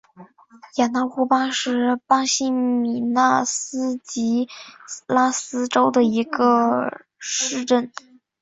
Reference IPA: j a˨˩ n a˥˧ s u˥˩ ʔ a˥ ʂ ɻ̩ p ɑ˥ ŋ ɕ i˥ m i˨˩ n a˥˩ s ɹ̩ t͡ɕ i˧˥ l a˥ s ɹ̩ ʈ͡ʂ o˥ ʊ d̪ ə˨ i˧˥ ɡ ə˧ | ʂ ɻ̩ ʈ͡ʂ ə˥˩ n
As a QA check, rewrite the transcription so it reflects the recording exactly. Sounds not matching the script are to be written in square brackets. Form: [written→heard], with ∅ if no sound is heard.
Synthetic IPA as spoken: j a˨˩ n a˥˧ [s→x] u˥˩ [ʔ→p] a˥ ʂ ɻ̩ p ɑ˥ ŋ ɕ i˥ m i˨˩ n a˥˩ s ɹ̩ t͡ɕ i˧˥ l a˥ s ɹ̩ ʈ͡ʂ o˥ ʊ d̪ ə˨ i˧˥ ɡ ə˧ | ʂ ɻ̩ ʈ͡ʂ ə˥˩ n